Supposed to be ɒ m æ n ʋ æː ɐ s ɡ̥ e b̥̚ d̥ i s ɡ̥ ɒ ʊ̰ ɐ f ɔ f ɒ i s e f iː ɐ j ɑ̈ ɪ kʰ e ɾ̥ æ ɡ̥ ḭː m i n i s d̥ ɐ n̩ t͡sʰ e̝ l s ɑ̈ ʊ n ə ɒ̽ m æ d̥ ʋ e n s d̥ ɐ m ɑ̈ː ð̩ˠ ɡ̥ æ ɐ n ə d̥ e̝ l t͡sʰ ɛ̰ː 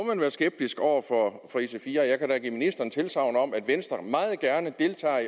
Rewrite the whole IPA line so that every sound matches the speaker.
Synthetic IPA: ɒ m æ n ʋ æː ɐ s ɡ̥ e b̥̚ d̥ i s ɡ̥ ɒ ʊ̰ ɐ f ɒ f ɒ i s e f iː ɐ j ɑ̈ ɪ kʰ æ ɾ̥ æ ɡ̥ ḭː m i n i s d̥ ɐ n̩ t͡sʰ e̝ l s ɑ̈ ʊ n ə ɒ̽ m æ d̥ ʋ e n s d̥ ɐ m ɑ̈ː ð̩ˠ ɡ̥ æ ɐ n ə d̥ e̝ l t͡sʰ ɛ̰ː